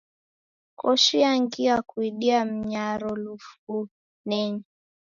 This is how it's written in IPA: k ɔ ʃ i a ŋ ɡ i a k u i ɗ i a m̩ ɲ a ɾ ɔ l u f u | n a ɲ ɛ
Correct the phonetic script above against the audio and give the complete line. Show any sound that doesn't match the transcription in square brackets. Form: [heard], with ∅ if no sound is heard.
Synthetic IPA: k ɔ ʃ i a ŋ ɡ i a k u i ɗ i a m̩ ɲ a ɾ ɔ l u f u | n [ɛ] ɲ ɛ